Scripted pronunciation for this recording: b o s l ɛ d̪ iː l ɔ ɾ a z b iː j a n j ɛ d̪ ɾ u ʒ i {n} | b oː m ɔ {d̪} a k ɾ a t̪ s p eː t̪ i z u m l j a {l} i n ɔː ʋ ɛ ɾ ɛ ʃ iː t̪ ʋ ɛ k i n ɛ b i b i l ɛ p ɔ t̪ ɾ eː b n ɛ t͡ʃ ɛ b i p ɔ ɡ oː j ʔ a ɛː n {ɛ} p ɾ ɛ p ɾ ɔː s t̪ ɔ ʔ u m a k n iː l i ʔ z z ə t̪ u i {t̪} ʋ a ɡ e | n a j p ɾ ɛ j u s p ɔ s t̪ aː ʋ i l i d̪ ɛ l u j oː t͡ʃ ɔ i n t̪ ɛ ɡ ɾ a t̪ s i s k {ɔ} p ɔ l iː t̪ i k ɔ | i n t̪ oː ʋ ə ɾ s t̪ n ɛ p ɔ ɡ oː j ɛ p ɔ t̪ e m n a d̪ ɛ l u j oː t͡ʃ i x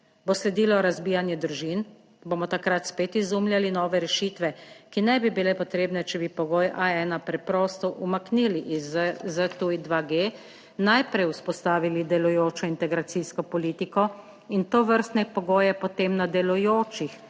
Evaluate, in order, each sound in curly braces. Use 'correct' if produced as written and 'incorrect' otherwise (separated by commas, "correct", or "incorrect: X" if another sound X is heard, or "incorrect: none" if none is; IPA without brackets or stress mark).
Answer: correct, incorrect: t̪, correct, incorrect: a, incorrect: d̪, correct